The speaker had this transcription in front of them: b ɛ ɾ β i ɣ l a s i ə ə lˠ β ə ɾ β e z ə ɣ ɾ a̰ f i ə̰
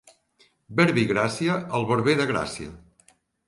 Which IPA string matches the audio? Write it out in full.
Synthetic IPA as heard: b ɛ ɾ β i ɣ ɾ a s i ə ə lˠ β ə ɾ β e ð ə ɣ ɾ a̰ s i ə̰